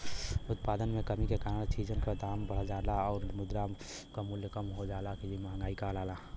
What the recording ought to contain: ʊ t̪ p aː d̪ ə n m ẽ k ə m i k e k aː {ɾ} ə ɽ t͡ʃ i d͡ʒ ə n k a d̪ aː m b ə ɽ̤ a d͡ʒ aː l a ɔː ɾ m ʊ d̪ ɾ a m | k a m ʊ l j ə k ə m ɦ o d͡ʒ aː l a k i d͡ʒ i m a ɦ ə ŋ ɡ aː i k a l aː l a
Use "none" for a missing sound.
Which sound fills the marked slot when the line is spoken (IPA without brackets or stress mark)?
ɾ